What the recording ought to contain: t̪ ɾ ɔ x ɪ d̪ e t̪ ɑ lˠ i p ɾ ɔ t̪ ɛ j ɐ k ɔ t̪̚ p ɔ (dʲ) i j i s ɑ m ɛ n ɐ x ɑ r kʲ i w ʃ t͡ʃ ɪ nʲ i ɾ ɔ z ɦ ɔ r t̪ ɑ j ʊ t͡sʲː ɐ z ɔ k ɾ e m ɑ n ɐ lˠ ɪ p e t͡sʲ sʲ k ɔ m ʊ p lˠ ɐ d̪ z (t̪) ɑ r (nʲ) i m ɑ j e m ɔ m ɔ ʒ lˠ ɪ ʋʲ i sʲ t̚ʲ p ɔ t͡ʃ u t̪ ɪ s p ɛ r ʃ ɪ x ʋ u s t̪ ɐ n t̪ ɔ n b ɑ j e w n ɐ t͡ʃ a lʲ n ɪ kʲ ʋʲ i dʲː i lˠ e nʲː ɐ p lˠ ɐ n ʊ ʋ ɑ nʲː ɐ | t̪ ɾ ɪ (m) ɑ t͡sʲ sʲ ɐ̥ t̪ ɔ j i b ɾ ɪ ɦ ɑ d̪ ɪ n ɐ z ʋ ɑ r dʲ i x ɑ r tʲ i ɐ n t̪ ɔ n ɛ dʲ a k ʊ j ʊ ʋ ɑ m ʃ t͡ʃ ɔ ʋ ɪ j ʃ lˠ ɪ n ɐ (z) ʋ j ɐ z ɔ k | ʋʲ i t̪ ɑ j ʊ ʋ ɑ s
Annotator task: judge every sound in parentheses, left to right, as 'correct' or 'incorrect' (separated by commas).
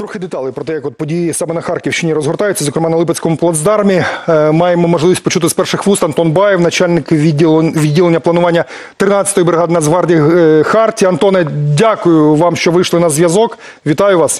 correct, incorrect, incorrect, incorrect, correct